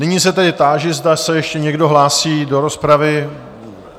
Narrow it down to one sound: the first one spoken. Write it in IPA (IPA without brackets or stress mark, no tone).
n